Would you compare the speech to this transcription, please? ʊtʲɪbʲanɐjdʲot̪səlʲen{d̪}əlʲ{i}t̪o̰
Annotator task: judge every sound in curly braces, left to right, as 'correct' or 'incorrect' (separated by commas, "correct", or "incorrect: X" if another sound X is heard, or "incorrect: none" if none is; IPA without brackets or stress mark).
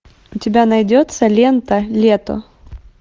incorrect: t̪, incorrect: e